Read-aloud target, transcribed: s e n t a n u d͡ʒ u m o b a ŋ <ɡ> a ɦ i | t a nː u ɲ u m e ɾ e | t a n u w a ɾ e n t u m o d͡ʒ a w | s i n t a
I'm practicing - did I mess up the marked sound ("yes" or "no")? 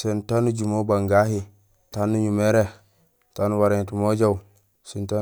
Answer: no